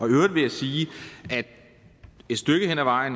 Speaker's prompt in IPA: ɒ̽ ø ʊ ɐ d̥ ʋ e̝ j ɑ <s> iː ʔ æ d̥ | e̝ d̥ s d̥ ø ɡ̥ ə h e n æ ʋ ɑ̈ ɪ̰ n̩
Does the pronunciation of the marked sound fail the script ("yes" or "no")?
no